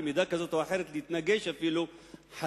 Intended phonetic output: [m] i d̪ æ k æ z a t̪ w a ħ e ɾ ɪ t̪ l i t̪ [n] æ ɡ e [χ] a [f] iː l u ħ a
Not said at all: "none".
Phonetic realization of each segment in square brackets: m, n, ʃ, f

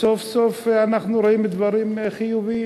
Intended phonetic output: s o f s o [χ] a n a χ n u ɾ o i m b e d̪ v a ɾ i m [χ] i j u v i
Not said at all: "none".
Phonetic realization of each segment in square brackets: f, χ

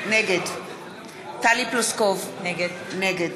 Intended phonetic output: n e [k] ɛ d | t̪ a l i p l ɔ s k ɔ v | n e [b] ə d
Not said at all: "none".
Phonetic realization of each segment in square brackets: ɡ, ɡ

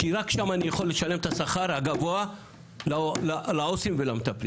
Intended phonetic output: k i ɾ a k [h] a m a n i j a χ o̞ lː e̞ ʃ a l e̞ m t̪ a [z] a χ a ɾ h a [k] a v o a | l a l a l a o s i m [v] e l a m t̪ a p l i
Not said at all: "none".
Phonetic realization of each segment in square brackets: ʃ, s, ɡ, v

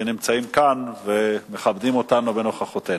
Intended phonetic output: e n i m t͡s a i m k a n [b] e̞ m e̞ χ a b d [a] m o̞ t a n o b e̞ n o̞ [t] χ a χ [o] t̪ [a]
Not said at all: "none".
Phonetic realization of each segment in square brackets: v, i, none, o, e

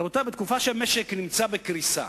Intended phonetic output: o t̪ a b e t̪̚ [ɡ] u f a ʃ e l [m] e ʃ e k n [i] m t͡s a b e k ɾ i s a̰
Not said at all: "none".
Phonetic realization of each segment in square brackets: k, m, i

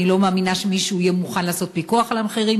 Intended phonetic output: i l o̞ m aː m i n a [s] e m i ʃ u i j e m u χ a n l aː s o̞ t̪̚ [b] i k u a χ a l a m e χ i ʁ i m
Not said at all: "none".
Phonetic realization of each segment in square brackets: ʃ, p

